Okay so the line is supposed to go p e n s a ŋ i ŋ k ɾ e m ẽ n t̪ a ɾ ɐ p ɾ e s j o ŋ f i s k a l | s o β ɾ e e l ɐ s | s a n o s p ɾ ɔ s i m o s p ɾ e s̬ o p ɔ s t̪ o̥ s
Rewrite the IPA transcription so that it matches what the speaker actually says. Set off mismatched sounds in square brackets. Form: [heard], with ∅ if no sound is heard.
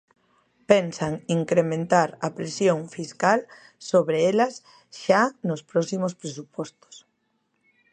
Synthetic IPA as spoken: p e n s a ŋ i ŋ k ɾ e m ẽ n t̪ a ɾ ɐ p ɾ e s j o ŋ f i s k a l | s o β ɾ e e l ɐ s | [ʃ] a n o s p ɾ ɔ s i m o s p ɾ e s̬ [u] p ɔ s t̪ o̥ s